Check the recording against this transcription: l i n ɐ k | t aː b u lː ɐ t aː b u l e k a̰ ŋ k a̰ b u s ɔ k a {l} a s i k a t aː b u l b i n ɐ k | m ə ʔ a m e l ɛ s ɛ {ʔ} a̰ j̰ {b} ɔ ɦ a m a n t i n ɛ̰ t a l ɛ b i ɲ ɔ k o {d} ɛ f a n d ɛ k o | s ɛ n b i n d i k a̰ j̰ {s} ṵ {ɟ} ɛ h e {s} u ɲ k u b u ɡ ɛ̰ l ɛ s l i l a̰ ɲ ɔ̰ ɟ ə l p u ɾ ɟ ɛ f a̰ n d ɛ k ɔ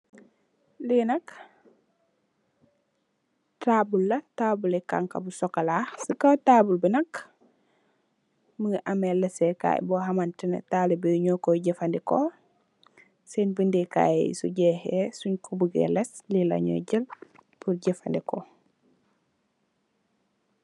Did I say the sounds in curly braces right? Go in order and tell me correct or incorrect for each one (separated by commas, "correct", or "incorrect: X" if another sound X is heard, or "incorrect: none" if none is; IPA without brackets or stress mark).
correct, incorrect: k, correct, incorrect: ɟ, correct, correct, correct